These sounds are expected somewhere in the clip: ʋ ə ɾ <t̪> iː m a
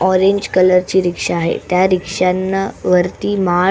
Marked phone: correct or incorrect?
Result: correct